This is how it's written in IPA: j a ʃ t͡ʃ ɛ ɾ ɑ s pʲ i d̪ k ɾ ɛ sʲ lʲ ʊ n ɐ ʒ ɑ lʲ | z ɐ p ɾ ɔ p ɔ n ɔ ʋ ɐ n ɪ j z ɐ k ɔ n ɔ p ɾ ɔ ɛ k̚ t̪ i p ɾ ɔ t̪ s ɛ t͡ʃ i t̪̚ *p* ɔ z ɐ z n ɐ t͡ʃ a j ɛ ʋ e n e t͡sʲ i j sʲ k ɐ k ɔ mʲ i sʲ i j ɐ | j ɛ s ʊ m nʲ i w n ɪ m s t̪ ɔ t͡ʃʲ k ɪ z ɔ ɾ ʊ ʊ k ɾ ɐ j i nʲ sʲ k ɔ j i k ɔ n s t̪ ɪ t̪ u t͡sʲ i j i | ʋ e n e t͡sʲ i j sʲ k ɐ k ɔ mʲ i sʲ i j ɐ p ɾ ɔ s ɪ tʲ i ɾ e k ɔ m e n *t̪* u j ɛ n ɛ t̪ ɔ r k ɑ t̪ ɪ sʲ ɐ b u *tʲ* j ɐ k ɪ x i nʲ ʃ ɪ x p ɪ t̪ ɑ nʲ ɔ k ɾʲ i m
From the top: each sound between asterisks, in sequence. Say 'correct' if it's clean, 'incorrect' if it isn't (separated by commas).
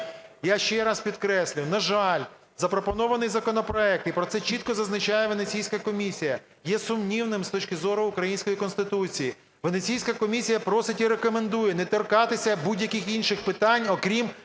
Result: incorrect, incorrect, incorrect